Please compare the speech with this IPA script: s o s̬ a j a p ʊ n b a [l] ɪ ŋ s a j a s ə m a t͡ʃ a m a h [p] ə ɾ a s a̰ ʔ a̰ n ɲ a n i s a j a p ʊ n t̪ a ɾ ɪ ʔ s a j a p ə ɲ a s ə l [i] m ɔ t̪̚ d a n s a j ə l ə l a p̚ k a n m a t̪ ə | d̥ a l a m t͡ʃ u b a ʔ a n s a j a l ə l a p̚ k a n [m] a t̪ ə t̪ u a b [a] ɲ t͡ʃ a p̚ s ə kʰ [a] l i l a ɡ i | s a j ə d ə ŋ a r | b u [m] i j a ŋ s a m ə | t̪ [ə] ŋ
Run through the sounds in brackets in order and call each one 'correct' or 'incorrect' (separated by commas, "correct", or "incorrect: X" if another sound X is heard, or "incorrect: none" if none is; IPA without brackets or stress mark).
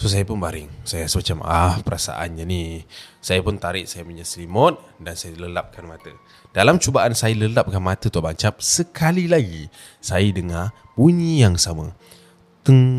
incorrect: ɾ, correct, correct, correct, correct, correct, incorrect: ɲ, correct